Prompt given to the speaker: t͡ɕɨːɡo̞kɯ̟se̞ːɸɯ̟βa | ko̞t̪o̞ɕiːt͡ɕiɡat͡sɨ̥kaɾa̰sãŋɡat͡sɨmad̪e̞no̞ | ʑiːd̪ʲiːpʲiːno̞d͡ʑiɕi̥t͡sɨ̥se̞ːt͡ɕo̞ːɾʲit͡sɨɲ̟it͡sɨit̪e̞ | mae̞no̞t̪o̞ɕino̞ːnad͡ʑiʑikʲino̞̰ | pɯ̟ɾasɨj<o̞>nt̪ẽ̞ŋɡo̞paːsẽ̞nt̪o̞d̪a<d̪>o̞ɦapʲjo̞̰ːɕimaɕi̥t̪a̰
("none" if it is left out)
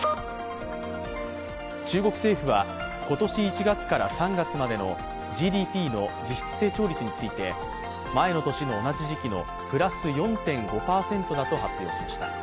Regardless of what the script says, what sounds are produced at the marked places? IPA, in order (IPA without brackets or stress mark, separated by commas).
õ̞, t̪